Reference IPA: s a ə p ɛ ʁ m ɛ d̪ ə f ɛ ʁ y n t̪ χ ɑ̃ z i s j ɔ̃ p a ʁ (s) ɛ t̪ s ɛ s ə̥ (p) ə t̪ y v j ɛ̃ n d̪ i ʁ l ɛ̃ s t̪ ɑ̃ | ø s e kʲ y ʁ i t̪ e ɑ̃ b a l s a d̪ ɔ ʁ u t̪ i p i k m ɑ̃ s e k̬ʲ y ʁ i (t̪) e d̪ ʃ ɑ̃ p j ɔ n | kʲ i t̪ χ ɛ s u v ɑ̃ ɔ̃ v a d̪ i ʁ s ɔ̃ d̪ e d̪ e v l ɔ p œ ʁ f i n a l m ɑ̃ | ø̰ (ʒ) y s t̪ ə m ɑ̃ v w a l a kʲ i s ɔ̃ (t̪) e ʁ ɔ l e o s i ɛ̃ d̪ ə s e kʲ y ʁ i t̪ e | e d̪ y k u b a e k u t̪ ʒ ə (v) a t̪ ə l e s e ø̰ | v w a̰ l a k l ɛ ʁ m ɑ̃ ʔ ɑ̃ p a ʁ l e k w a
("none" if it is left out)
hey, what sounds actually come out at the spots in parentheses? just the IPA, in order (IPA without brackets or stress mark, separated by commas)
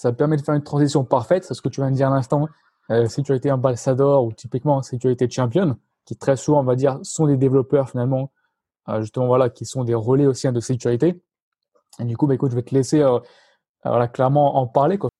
f, k, t̪, ʒ, d̪, v